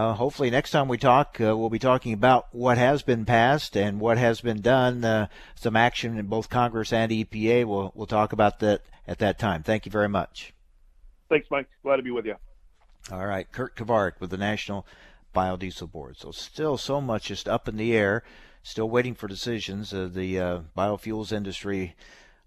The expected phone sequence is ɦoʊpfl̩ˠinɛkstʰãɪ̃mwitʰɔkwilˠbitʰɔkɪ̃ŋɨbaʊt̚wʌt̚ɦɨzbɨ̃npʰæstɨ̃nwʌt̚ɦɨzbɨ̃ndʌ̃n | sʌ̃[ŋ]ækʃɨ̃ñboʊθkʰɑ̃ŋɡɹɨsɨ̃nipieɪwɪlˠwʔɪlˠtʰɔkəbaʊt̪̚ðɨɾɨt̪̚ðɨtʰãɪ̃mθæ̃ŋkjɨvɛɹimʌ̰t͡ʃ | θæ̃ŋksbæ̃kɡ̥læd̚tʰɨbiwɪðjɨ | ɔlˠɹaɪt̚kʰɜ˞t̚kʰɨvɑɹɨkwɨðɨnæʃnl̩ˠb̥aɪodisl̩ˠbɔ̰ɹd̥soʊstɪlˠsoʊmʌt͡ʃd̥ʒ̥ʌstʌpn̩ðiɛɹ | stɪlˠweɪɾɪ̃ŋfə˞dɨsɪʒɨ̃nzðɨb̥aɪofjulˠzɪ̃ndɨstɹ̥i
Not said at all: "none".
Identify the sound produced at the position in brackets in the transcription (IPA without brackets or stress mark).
m